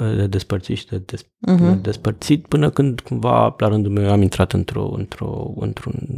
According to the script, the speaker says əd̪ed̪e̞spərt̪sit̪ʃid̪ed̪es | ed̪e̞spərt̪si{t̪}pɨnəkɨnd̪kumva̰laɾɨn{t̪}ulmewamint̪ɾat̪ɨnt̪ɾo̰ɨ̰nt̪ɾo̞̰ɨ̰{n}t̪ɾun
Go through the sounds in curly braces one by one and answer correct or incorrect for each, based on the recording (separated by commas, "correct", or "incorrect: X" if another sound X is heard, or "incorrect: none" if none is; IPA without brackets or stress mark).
correct, incorrect: d̪, correct